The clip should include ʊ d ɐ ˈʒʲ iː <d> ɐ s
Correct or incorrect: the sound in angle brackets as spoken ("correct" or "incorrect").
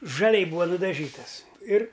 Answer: incorrect